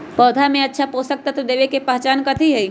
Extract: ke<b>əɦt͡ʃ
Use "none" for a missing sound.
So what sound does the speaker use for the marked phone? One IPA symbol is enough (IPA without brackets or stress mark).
p